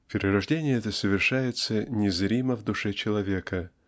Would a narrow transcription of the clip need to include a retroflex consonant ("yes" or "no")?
yes